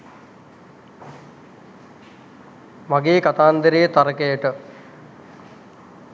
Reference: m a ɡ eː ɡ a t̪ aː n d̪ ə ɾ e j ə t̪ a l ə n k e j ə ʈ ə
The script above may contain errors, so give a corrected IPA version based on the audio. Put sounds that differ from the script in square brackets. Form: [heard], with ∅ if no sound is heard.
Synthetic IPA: m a ɡ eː [k] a t̪ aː n d̪ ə ɾ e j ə t̪ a [ɾ] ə [∅] k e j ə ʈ ə